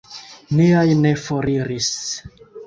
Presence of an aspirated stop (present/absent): absent